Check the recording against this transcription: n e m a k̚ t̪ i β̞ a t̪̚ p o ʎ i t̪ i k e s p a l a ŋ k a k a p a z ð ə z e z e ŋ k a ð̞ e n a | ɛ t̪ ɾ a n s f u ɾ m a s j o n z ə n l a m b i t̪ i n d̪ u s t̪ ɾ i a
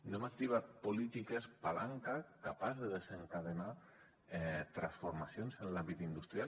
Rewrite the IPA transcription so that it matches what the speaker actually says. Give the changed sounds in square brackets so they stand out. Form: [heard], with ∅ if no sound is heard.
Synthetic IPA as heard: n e m a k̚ t̪ i β̞ a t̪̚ p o [l] i t̪ i k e s p a l a ŋ k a k a p a z ð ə [ð] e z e ŋ k a ð̞ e n a | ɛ t̪ ɾ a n s f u ɾ m a s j o n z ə n l a m b i t̪ i n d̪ u s t̪ ɾ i a

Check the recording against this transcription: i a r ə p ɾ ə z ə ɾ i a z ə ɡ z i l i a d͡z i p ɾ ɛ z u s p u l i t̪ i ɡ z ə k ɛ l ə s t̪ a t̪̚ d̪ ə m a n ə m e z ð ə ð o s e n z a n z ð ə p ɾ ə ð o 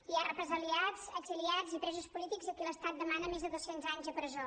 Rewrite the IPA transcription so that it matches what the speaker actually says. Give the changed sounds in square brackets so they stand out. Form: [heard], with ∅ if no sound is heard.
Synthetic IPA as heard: i a r ə p ɾ ə z ə [l] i a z ə ɡ z i l i a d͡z i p ɾ ɛ z u s p u l i t̪ i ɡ z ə k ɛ l ə s t̪ a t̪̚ d̪ ə m a n ə m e z ð ə ð o s e n z a [ɲ] z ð ə p ɾ ə [z] o

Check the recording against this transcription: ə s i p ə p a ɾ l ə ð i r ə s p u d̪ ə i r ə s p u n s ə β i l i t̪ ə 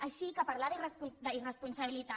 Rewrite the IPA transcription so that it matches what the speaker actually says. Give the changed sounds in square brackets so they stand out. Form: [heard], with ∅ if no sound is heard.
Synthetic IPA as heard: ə [ʃ] i [k] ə p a ɾ l [a] ð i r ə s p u d̪ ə i r ə s p u n s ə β i l i t̪ [a]

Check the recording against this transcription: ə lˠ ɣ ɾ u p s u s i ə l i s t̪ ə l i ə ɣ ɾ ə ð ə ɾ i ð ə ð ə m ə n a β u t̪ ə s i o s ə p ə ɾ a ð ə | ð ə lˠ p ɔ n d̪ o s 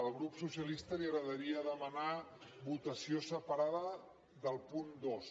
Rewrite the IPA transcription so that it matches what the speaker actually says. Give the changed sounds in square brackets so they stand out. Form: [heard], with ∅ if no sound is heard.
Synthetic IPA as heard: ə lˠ ɣ ɾ u p s u s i ə l i s t̪ ə l i ə ɣ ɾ ə ð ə ɾ i [∅] ə ð ə m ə n a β u t̪ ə s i o s ə p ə ɾ a ð ə | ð ə lˠ p [u] n d̪ o s

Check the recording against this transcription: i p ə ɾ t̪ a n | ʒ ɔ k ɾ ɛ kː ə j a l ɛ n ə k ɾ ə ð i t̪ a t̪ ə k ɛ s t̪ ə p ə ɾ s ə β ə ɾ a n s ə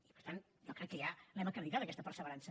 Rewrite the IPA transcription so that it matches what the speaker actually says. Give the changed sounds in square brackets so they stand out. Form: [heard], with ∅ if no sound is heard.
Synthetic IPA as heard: i p ə ɾ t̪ a n | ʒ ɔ k ɾ ɛ kː ə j a l ɛ [m] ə k ɾ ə ð i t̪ a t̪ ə k ɛ s t̪ ə p ə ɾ s ə β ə ɾ a n s ə

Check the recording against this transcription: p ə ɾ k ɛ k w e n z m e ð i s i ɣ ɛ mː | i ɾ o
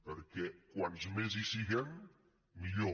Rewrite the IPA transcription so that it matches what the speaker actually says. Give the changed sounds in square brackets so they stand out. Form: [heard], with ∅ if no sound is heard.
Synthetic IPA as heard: p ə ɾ k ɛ k w [a] n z m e [z] i s i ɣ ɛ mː | i [ʎ] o

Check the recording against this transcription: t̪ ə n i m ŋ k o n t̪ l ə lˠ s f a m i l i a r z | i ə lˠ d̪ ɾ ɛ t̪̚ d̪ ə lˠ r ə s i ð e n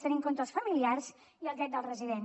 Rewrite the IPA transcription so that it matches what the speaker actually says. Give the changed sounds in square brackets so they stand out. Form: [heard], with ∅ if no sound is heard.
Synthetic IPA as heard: t̪ ə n i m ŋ k o n t̪ [ɾ] ə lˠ s f [ə] m i l i a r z | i ə lˠ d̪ ɾ ɛ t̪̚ d̪ ə lˠ r ə [z] i ð e n

